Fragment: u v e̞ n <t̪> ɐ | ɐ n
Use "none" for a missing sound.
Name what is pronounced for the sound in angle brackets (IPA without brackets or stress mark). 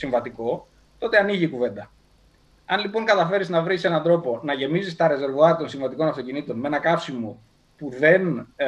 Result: d̪